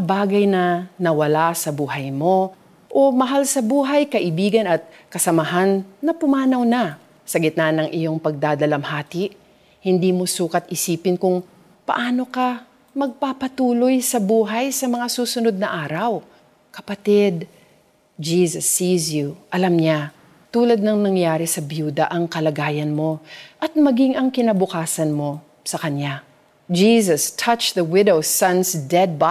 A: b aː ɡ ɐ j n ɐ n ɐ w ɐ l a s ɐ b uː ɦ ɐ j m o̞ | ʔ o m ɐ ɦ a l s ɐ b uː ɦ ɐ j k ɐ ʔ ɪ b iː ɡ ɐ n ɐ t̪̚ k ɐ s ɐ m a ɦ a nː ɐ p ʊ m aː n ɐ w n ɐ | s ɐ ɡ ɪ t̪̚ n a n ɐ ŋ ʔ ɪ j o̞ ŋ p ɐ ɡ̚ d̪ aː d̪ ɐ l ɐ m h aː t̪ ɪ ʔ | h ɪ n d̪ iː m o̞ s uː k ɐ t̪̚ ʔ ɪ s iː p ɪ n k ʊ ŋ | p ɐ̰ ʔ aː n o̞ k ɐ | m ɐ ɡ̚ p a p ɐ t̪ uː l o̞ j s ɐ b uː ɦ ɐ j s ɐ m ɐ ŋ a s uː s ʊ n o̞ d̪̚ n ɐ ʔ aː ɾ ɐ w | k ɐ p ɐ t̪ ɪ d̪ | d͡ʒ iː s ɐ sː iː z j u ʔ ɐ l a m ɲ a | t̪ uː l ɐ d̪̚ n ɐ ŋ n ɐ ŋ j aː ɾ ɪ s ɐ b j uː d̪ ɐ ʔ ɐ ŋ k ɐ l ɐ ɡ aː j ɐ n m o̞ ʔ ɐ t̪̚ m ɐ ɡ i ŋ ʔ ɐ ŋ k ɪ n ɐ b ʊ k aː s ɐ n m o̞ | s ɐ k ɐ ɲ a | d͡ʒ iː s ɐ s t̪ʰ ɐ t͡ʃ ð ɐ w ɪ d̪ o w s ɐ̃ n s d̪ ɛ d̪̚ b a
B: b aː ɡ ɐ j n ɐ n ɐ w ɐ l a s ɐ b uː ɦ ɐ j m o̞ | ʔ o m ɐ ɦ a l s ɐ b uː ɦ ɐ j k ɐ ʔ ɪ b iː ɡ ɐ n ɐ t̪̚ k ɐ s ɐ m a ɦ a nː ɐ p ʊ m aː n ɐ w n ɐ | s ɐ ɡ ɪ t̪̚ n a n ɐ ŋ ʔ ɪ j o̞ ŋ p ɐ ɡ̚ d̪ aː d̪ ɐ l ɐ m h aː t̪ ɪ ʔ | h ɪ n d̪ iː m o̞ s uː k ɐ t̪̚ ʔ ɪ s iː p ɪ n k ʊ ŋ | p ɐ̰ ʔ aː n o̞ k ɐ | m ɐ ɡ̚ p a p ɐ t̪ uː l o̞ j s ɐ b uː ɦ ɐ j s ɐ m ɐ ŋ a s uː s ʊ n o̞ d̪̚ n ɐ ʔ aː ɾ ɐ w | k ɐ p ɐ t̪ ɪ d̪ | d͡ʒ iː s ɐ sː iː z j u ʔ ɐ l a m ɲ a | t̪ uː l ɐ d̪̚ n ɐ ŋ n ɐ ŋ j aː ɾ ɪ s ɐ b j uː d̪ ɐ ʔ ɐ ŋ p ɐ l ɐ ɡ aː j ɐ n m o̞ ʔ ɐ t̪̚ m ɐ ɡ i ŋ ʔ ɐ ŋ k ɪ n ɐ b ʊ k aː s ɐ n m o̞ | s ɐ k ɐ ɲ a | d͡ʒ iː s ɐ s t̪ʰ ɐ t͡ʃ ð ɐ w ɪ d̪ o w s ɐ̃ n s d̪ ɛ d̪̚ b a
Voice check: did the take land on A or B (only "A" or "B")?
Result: A